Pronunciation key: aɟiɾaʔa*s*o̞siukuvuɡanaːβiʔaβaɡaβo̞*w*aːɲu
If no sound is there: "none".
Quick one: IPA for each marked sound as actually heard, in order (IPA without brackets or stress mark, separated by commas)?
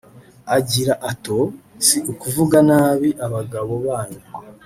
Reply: t, β